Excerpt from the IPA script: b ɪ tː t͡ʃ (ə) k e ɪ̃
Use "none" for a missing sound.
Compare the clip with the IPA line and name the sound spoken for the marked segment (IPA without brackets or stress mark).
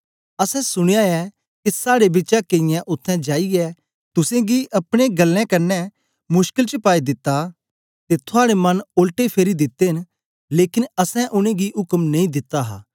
a